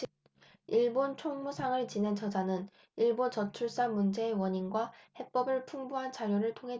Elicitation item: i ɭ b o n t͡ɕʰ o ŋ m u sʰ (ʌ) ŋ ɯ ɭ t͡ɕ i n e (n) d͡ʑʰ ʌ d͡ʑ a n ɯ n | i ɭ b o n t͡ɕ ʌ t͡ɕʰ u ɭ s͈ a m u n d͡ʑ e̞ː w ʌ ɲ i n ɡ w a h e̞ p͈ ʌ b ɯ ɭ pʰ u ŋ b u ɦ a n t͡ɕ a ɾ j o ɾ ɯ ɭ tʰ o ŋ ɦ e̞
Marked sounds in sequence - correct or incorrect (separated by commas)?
incorrect, correct